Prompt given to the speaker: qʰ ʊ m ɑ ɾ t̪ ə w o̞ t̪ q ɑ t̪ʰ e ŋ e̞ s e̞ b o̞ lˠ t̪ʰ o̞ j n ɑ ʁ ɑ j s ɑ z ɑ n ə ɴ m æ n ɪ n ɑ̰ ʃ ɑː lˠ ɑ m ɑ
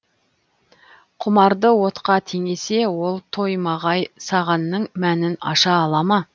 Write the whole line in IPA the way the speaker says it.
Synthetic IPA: qʰ ʊ m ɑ ɾ d̪ ə w o̞ t̪ q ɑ t̪ʰ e ŋ e̞ s e̞ w o̞ lˠ t̪ʰ o̞ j m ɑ ʁ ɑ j s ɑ ʁ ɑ nː ə ɴ m æ n ɪ n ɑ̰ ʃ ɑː lˠ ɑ m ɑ